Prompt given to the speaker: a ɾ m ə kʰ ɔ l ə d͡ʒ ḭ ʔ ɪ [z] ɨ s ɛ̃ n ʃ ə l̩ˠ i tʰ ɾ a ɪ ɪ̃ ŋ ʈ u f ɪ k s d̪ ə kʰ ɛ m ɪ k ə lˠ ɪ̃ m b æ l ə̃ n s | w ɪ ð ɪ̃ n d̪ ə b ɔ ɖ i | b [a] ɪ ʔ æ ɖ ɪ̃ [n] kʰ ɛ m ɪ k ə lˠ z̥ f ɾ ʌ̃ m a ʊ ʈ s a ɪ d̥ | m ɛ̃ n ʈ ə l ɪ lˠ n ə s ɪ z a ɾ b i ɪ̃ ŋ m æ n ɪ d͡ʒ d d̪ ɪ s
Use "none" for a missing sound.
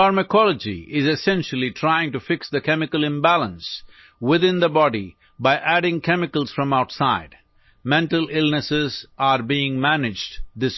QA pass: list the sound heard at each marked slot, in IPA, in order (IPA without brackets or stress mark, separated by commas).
z, a, ŋ